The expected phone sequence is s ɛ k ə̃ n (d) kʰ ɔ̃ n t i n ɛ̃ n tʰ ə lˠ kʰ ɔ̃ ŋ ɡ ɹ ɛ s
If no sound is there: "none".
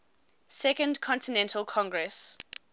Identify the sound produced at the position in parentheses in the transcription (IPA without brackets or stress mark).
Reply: d